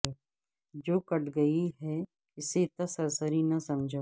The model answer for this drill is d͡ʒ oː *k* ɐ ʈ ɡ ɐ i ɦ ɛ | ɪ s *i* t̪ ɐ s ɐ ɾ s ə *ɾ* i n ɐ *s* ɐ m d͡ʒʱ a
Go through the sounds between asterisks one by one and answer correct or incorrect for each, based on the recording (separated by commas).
correct, incorrect, correct, correct